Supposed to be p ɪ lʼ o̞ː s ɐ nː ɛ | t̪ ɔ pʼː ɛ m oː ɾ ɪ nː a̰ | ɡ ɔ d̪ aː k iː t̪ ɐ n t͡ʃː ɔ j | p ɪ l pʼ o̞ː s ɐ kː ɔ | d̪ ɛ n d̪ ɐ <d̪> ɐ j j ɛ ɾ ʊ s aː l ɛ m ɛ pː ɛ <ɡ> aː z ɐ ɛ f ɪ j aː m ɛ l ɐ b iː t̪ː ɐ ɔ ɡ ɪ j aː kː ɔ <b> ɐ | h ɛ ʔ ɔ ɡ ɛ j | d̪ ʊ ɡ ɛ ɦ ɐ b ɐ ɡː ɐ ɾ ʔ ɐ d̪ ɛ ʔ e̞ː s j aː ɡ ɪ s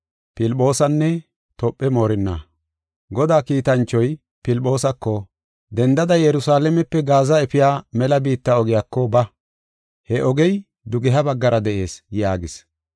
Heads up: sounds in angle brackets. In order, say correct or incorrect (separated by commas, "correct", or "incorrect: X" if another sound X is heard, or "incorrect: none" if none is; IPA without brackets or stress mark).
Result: correct, correct, correct